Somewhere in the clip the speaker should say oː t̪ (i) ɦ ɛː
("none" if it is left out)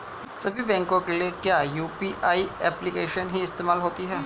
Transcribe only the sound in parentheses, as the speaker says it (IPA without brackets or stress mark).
i